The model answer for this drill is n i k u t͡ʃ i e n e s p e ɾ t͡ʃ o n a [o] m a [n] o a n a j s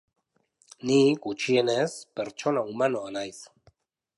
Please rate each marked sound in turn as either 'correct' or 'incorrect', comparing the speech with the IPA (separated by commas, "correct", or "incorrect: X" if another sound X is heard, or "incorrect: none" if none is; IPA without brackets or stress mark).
incorrect: u, correct